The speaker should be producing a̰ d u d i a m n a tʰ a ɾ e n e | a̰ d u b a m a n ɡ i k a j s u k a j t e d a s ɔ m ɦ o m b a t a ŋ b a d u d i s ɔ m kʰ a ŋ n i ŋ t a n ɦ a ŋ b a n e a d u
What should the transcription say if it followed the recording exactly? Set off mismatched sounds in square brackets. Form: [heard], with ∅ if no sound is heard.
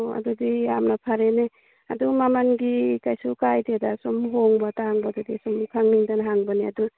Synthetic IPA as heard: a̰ d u d i a m n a [pʰ] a ɾ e n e | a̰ d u [m] a m a n ɡ i k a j s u k a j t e d a s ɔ m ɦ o [ŋ] b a t a ŋ b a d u d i s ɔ m kʰ a ŋ n i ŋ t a n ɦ a ŋ b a n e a d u